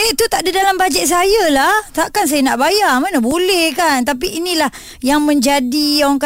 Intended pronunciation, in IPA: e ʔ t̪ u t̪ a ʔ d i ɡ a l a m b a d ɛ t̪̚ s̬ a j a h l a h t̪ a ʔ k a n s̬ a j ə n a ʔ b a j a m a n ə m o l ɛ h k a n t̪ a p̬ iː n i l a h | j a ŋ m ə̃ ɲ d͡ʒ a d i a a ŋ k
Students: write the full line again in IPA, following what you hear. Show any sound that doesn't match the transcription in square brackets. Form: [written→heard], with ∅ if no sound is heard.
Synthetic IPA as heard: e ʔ t̪ u t̪ a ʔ d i [ɡ→d] a l a m b a [d→d͡ʒ] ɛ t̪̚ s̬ a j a [h→∅] l a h t̪ a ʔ k a n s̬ a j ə n a ʔ b a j a m a n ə [m→b] o l ɛ h k a n t̪ a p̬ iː n i l a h | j a ŋ m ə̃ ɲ d͡ʒ a d i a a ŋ k